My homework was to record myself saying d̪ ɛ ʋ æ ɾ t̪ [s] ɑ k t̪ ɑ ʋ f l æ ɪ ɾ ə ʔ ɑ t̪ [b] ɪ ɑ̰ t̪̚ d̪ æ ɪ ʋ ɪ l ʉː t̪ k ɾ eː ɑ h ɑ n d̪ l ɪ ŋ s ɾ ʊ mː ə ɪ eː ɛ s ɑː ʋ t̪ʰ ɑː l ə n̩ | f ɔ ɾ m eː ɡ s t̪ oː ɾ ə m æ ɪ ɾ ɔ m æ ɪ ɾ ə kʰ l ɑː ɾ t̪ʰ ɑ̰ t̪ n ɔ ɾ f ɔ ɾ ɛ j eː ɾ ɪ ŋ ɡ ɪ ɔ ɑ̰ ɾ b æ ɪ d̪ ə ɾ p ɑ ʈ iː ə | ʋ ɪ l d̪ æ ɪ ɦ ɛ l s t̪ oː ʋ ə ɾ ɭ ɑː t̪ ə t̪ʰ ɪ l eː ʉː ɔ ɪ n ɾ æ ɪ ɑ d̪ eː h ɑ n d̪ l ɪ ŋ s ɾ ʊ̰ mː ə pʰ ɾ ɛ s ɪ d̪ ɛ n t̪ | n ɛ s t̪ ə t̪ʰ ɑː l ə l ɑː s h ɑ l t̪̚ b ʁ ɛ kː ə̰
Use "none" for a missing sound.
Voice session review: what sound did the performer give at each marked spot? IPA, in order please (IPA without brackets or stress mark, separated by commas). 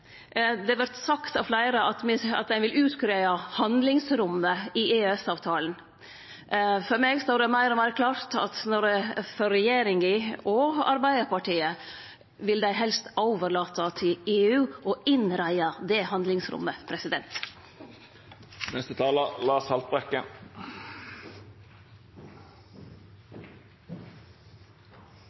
s, m